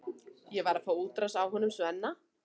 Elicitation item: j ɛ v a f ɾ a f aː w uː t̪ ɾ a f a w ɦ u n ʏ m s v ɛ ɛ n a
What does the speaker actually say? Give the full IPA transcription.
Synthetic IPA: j ɛ v a ɾ a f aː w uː t̪ ɾ a s a w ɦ ɔ n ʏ m s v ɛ ɛ nː a

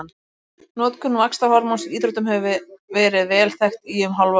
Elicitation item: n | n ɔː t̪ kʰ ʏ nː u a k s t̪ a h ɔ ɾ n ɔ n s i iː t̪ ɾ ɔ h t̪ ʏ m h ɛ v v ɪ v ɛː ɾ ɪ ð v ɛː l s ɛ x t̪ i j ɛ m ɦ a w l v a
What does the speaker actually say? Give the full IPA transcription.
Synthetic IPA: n | n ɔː t̪ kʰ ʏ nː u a k s t̪ a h ɔ ɾ m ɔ n s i iː t̪ ɾ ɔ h t̪ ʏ m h ɛ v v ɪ v ɛː ɾ ɪ ð v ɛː l θ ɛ x t̪ i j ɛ m ɦ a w l v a

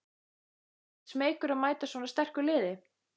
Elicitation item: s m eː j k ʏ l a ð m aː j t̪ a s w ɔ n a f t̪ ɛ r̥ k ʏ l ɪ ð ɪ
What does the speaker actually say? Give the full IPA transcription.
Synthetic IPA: s m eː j k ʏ ɾ a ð m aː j t̪ a s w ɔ n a s t̪ ɛ r̥ k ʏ l ɪː ð ɪ

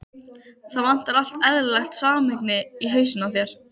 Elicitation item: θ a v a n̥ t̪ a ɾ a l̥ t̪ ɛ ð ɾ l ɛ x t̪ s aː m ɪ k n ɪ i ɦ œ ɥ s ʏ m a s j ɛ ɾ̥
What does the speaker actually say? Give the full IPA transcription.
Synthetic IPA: θ a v a n̥ t̪ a ɾ a l̥ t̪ ɛ ð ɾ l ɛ x t̪ s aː m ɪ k n ɪ i ɦ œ ɥ s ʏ n a θ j ɛ ɾ̥

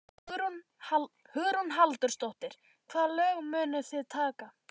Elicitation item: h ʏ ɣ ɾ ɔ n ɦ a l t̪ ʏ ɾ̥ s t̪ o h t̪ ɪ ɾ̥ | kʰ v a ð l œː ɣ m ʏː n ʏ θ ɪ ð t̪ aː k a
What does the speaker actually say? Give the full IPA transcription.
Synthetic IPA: h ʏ ɣ ɾ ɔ n ɦ a l t̪ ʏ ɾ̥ s t̪ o h t̪ ɪ ɾ̥ | kʰ v a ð l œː ɣ m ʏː n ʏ θ ɪ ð t̪ʰ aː k a

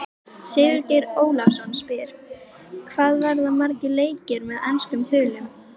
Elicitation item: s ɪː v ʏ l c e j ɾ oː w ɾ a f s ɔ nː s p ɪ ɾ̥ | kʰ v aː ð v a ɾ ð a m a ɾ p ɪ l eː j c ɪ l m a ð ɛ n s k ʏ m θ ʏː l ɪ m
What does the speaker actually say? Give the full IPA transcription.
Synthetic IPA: s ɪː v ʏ ɾ c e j ɾ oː w l a f s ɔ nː s p ɪ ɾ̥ | kʰ v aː ð v a ɾ ð a m a ɾ c ɪ l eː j c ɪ ɾ m ɛ ð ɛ n s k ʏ m θ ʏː l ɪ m

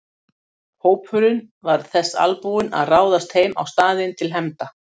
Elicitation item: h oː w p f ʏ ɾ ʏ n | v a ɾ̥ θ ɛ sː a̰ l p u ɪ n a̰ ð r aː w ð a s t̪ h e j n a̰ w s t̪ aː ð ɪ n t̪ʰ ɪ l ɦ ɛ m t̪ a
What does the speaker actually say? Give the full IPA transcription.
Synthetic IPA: h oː w p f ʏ ɾ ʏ n | v a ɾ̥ θ ɛ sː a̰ l p u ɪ n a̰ ð r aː w ð a s t̪ h e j m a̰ w s t̪ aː ð ɪ n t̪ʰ ɪ l ɦ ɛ m t̪ a

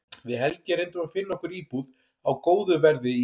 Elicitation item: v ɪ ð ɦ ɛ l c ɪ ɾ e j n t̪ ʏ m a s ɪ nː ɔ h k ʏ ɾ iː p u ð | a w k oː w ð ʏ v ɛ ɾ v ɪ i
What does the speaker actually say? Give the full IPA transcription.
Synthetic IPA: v ɪ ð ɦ ɛ l c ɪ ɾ e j n t̪ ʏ m a f ɪ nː ɔ h k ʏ ɾ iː p u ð | a w k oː w ð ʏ v ɛ ɾ ð ɪ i

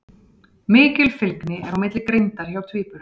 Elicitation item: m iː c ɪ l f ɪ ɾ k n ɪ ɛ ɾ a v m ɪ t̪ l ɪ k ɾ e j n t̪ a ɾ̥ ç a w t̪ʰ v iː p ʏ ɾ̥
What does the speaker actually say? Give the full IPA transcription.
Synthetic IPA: m ɪː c ɪ l f ɪ l k n ɪ ɛ ɾ a w m ɪ t̪ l ɪ k ɾ e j n t̪ a ɾ̥ ç a w t̪ʰ v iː p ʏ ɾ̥

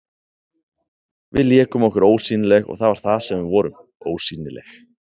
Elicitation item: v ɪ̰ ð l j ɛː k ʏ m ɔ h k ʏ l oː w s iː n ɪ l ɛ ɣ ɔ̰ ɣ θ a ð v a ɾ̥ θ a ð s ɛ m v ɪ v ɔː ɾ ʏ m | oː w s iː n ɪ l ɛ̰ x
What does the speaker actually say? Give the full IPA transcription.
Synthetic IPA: v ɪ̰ ð l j ɛː k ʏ m ɔ h k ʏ ɾ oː w s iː n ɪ l ɛ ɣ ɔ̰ ɣ θ a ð v a ɾ̥ θ a ð s ɛ m v ɪ v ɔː ɾ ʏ m | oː w s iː n ɪ l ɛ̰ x

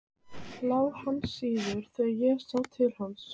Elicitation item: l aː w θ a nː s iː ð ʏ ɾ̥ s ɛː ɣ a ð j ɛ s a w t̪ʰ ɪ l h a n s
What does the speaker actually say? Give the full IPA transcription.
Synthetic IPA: l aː w h a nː s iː ð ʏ ɾ̥ θ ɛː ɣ a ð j ɛ s a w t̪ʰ ɪ l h a n s

